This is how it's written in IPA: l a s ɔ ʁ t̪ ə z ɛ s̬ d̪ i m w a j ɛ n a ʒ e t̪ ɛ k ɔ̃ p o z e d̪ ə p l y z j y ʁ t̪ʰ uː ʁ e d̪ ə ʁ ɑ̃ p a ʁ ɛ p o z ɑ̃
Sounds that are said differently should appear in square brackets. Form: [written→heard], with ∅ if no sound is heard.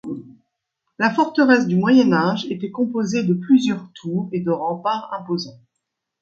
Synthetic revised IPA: l a [s→f] ɔ ʁ t̪ ə [z→ʁ] ɛ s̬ d̪ [i→y] m w a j ɛ n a ʒ e t̪ ɛ k ɔ̃ p o z e d̪ ə p l y z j [y→œ] ʁ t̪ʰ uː ʁ e d̪ ə ʁ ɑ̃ p a ʁ [ɛ→ɛ̃] p o z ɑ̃